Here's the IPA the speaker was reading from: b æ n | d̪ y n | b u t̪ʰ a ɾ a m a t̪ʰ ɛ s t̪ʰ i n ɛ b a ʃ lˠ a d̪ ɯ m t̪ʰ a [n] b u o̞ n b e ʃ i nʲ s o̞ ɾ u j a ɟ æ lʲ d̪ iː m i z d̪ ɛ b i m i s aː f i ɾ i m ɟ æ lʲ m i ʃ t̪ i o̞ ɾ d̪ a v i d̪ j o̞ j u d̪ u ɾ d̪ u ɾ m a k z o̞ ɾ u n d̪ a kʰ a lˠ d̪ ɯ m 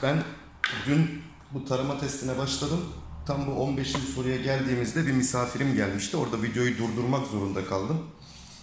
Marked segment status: incorrect: m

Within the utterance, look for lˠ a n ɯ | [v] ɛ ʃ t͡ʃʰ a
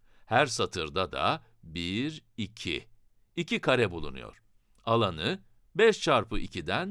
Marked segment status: incorrect: b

